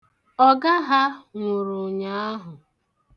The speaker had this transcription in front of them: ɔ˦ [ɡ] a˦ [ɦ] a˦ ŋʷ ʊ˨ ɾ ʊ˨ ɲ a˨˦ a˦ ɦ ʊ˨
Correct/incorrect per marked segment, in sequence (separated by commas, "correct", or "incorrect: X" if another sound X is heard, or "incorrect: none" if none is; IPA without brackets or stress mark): correct, correct